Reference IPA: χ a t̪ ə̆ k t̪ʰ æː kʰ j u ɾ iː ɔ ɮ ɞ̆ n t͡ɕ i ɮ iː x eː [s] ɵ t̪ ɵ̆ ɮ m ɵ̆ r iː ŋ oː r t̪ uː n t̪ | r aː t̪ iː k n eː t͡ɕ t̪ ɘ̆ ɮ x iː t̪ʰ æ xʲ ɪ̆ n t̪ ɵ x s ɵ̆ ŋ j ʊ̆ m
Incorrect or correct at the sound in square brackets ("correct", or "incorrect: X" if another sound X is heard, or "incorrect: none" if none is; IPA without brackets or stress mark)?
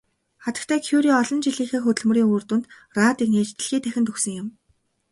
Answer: incorrect: x